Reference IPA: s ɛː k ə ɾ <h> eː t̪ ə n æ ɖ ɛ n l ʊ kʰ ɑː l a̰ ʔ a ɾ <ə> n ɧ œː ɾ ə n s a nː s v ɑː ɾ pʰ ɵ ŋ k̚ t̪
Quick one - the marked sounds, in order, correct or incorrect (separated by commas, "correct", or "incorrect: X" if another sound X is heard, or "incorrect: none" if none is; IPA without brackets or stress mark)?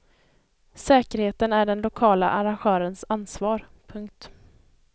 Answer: correct, incorrect: a